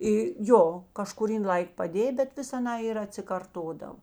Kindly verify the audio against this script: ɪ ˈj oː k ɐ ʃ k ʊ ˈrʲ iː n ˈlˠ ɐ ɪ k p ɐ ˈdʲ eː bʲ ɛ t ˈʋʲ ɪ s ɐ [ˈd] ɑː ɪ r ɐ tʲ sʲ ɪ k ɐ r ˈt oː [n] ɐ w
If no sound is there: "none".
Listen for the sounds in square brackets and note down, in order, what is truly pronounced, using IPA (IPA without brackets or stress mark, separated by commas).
n, d